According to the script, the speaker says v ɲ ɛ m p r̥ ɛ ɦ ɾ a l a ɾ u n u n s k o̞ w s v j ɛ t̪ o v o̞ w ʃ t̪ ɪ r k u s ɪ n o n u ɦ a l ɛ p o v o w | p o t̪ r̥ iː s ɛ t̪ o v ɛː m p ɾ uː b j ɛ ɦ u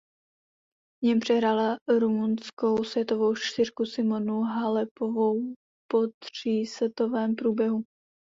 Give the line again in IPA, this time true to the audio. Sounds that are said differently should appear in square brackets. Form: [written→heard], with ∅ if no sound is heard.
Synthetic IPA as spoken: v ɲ ɛ m p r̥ ɛ ɦ ɾ a l a ɾ u [n→m] u n s k o̞ w s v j ɛ t̪ o v o̞ w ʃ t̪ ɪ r k u s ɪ [n→m] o n u ɦ a l ɛ p o v o w | p o t̪ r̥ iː s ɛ t̪ o v ɛː m p ɾ uː b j ɛ ɦ u

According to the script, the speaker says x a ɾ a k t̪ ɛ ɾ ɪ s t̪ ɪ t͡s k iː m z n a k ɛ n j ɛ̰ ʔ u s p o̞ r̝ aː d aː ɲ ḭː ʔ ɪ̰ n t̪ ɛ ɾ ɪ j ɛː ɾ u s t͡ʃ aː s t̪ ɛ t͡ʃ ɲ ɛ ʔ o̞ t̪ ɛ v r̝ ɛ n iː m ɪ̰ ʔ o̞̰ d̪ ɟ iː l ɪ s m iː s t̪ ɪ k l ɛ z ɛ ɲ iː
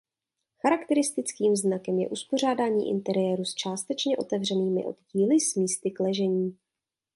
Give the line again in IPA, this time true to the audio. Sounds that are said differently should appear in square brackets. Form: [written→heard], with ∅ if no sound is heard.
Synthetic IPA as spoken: x a ɾ a k t̪ ɛ ɾ ɪ s t̪ ɪ t͡s k iː m z n a k ɛ [n→m] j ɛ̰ ʔ u s p o̞ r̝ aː d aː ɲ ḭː ʔ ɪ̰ n t̪ ɛ ɾ ɪ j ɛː ɾ u s t͡ʃ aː s t̪ ɛ t͡ʃ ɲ ɛ ʔ o̞ t̪ ɛ v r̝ ɛ n iː m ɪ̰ ʔ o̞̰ d̪ ɟ iː l ɪ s m iː s t̪ ɪ k l ɛ [z→ʒ] ɛ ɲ iː

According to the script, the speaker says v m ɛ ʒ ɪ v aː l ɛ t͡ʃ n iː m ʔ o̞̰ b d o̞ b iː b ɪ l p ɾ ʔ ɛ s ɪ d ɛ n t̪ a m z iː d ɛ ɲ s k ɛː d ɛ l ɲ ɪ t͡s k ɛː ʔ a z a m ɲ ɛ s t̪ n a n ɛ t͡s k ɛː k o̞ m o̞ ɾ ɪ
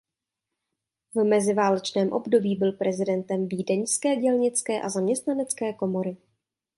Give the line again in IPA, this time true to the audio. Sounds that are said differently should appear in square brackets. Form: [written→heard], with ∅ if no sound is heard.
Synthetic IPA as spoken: v m ɛ [ʒ→z] ɪ v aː l ɛ t͡ʃ n [iː→ɛː] m ʔ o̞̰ b d o̞ b iː b ɪ l p ɾ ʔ ɛ [s→z] ɪ d ɛ n t̪ [a→ɛ] m [z→v] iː d ɛ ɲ s k ɛː [d→ɟ] ɛ l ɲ ɪ t͡s k ɛː ʔ a z a m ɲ ɛ s t̪ n a n ɛ t͡s k ɛː k o̞ m o̞ ɾ ɪ

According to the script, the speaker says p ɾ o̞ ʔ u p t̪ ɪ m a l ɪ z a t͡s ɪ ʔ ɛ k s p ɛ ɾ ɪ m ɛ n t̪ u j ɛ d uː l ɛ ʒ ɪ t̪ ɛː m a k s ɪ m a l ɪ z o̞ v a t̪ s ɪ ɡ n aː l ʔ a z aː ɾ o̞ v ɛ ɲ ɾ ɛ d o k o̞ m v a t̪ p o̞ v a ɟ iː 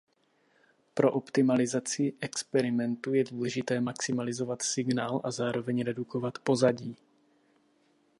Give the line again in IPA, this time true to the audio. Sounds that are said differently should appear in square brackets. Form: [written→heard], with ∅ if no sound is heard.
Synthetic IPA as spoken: p ɾ o̞ ʔ [u→o] p t̪ ɪ m a l ɪ z a t͡s ɪ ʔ ɛ k s p ɛ ɾ ɪ m ɛ n t̪ u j ɛ d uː l ɛ ʒ ɪ t̪ ɛː m a k s ɪ m a l ɪ z o̞ v a t̪ s ɪ ɡ n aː l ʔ a z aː ɾ o̞ v ɛ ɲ ɾ ɛ d [o→u] k o̞ [m→∅] v a t̪ p o̞ [v→z] a ɟ iː

